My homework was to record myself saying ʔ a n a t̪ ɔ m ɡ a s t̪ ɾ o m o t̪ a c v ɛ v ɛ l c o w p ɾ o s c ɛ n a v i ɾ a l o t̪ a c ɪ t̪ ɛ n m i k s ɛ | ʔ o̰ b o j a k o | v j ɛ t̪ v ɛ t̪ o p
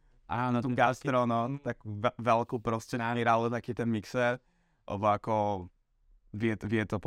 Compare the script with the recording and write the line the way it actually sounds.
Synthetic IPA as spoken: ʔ a n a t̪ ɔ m ɡ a s t̪ ɾ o n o t̪ a k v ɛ v ɛ l k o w p ɾ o s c ɛ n a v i ɾ a l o t̪ a k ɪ t̪ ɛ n m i k s ɛ | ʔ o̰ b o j a k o | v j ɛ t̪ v ɛ t̪ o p